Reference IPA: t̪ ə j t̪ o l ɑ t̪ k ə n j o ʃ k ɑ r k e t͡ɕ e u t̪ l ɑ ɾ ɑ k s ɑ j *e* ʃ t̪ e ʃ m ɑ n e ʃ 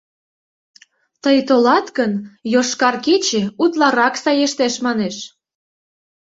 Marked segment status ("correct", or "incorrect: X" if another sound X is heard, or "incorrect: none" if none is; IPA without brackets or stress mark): correct